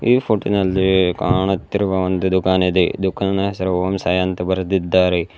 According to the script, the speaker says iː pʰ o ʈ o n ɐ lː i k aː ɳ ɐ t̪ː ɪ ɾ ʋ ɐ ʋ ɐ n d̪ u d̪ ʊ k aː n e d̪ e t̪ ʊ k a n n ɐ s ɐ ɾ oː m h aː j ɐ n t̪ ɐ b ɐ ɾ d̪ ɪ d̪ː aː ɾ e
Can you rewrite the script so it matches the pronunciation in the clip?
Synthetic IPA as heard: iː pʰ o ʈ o n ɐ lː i k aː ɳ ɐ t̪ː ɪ ɾ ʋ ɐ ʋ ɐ n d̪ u d̪ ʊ k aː n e d̪ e d̪ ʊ k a n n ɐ s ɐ ɾ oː m s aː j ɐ n t̪ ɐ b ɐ ɾ d̪ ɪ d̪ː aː ɾ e